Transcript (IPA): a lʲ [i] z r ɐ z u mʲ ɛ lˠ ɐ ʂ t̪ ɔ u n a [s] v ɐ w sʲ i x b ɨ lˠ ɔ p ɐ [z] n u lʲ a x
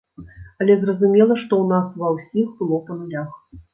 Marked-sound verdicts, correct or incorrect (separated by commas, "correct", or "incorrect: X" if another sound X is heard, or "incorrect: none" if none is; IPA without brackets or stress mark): incorrect: ɛ, correct, incorrect: none